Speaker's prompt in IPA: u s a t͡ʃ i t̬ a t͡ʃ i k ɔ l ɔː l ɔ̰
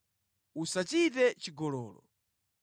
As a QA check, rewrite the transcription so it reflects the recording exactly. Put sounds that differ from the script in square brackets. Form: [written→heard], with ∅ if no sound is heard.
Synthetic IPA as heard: u s a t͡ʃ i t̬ [a→ɛ] t͡ʃ i [k→ɡ] ɔ l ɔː l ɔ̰